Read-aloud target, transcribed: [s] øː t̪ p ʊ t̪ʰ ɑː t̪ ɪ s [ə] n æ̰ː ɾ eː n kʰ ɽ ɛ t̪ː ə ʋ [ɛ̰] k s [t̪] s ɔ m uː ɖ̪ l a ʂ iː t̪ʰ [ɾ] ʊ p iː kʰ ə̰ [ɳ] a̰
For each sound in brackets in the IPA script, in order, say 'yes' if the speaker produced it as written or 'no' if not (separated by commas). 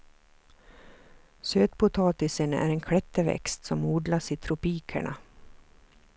yes, yes, yes, yes, yes, yes